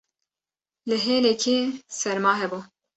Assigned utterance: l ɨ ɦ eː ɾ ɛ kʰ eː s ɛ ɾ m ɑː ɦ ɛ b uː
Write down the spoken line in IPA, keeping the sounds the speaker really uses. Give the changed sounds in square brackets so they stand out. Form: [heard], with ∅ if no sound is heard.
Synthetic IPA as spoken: l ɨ ɦ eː [l] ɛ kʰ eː s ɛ ɾ m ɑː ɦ ɛ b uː